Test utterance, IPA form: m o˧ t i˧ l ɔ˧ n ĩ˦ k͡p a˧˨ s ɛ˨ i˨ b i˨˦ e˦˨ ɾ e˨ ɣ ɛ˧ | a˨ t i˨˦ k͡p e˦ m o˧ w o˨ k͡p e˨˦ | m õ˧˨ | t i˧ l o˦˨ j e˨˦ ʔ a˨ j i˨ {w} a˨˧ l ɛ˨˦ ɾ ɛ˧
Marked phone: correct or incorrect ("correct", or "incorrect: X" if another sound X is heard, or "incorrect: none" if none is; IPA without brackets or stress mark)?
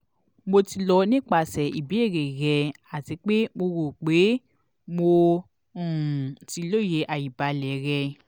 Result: incorrect: b